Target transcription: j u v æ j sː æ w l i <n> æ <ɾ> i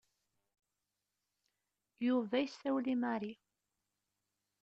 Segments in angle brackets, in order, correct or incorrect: incorrect, correct

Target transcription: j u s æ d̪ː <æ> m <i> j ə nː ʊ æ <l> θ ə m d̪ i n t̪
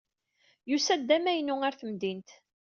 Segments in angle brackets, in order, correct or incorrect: correct, incorrect, incorrect

